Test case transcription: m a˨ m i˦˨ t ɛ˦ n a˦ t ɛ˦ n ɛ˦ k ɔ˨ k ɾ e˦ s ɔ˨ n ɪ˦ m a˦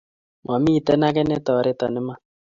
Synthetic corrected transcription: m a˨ m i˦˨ t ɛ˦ n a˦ k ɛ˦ n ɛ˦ t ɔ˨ ɾ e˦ t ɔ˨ n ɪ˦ m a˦